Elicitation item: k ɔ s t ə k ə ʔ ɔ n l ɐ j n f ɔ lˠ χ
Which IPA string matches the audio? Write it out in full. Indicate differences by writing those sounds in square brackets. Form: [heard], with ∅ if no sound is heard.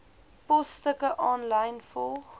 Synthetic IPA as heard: [p] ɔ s t ə k ə ʔ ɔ n l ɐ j n f ɔ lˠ χ